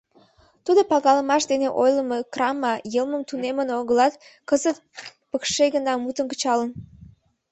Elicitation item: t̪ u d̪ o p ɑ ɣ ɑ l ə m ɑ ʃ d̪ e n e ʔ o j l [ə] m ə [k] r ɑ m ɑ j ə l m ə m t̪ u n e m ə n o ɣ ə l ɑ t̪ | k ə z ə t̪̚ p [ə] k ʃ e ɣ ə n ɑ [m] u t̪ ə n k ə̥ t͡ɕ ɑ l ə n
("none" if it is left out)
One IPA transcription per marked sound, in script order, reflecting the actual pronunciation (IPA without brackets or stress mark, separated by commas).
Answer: ə, k, ə, m